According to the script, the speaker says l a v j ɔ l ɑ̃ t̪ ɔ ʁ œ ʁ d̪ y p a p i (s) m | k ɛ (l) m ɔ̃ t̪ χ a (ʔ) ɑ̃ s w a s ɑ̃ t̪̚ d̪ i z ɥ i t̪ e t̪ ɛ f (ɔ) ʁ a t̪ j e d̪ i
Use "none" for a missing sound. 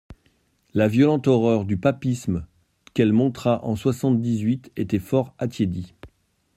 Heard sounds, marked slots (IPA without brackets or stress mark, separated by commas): s, l, ʔ, ɔ